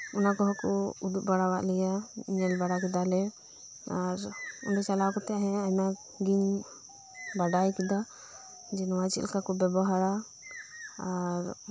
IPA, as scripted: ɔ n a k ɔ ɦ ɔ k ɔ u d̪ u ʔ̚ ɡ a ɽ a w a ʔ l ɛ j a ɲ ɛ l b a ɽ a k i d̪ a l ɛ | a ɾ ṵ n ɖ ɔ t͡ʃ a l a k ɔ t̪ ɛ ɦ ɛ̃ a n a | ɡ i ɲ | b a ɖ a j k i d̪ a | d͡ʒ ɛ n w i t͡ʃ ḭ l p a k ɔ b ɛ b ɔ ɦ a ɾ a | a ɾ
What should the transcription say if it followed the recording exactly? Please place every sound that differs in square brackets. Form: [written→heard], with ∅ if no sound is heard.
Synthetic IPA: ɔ n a k ɔ ɦ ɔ k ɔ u d̪ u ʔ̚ [ɡ→b] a ɽ a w a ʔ l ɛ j a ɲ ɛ l b a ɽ a k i d̪ a l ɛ | a ɾ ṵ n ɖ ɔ t͡ʃ a l a k ɔ t̪ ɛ ɦ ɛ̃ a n a | ɡ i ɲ | b a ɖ a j k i d̪ a | d͡ʒ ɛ n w [i→a] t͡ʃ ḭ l [p→k] a k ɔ b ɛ b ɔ ɦ a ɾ a | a ɾ